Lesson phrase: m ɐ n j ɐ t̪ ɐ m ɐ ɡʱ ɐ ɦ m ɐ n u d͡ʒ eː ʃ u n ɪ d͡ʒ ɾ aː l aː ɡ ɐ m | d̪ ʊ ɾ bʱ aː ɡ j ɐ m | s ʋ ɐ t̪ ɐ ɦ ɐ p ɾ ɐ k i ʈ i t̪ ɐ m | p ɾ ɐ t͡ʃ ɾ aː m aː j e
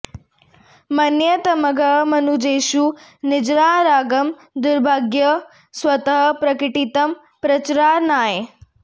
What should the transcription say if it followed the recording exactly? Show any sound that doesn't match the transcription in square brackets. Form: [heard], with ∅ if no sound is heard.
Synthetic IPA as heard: m ɐ n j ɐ t̪ ɐ m ɐ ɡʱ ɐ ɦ m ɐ n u d͡ʒ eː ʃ u n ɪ d͡ʒ ɾ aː [ɾ] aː ɡ ɐ m | d̪ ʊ ɾ bʱ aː ɡ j ɐ [∅] | s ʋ ɐ t̪ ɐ ɦ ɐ p ɾ ɐ k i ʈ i t̪ ɐ m | p ɾ ɐ t͡ʃ ɾ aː [n] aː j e